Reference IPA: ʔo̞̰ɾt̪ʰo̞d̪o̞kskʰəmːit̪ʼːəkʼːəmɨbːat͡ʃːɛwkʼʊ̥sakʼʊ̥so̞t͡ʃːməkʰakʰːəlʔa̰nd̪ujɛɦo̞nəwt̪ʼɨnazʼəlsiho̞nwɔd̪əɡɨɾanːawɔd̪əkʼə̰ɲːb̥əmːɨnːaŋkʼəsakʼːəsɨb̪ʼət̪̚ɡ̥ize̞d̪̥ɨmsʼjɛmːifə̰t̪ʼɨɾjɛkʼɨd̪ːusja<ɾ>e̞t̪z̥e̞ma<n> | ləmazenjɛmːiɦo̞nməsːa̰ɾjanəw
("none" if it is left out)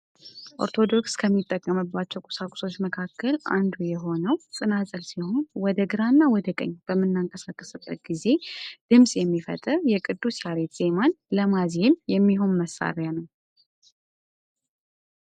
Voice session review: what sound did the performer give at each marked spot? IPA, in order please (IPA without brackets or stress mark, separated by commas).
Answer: ɾ, n